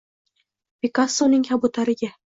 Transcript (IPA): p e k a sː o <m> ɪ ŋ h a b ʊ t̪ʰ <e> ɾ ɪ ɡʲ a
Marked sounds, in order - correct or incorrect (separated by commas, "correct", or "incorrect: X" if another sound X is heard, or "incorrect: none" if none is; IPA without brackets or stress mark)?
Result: incorrect: n, incorrect: a